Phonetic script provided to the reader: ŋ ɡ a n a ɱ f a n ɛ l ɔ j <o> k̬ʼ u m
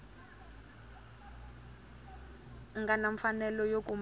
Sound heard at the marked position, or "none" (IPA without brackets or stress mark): o